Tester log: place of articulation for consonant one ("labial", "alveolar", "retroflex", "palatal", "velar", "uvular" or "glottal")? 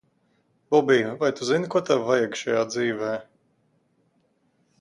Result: labial